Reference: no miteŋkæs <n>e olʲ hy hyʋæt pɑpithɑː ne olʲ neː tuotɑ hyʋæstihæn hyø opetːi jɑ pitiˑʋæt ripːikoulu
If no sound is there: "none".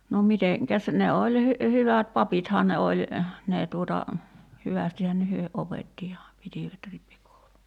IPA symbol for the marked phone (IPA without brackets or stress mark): n